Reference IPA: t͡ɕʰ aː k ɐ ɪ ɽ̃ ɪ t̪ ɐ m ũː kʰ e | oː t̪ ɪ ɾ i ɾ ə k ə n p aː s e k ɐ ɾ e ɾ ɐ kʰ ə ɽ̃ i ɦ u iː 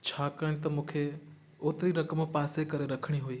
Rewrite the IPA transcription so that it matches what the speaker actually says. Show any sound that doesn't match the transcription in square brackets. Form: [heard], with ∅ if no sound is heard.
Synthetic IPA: t͡ɕʰ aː k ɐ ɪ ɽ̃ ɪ t̪ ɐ m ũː kʰ e | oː t̪ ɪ ɾ i ɾ [ɐ] k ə [m] p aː s e k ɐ ɾ e ɾ ɐ kʰ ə ɽ̃ i ɦ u iː